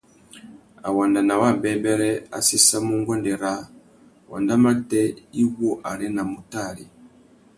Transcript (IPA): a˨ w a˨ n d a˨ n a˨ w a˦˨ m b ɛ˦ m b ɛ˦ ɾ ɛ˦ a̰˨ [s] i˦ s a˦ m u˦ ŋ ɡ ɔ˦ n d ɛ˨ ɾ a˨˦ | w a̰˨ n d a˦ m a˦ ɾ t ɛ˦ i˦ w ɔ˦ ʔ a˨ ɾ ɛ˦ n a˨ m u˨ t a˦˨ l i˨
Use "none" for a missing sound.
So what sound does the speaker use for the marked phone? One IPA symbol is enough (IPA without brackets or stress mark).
s